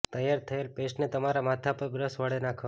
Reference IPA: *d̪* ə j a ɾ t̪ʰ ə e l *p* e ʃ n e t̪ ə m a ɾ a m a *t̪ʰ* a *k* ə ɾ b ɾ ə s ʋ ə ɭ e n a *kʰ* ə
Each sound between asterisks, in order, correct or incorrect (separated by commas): incorrect, correct, correct, incorrect, correct